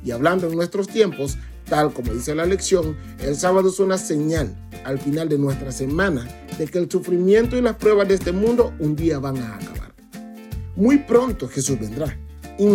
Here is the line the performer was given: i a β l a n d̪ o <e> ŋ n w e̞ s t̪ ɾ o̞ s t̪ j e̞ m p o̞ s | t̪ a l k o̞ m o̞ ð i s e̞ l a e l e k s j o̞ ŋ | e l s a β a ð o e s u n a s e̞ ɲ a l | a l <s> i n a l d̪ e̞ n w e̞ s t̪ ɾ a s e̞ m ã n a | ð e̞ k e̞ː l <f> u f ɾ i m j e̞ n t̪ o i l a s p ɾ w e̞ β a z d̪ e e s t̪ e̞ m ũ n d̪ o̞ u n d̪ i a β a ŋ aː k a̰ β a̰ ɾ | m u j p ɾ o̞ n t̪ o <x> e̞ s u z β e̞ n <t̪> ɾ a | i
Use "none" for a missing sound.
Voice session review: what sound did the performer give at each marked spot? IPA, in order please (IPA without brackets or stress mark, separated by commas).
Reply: e, f, s, x, d̪